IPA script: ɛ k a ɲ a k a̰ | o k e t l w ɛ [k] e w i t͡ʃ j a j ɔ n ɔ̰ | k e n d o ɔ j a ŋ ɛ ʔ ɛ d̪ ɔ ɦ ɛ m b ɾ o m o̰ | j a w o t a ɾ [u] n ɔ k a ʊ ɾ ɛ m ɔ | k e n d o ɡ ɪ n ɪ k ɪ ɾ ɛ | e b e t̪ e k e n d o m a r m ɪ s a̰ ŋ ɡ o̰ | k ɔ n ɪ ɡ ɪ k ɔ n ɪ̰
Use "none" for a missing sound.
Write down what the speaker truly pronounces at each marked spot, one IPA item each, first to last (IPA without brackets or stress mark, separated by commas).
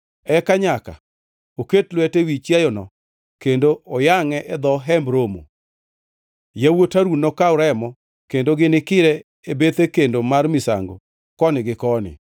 t, u